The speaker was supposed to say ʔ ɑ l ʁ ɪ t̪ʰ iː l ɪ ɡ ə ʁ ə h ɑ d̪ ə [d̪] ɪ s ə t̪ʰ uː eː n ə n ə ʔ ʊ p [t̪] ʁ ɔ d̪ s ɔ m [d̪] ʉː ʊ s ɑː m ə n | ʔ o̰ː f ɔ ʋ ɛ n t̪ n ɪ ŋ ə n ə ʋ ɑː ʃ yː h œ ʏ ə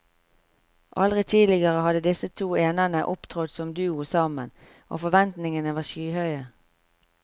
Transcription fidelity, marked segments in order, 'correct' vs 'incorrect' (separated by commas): correct, incorrect, correct